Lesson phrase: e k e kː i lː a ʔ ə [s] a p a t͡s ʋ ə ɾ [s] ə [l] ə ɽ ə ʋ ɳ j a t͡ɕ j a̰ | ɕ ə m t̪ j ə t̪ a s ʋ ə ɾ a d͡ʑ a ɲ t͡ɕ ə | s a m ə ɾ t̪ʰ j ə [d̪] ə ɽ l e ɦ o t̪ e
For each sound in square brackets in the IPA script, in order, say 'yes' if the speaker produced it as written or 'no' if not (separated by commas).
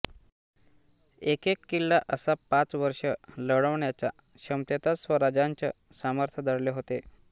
yes, no, yes, yes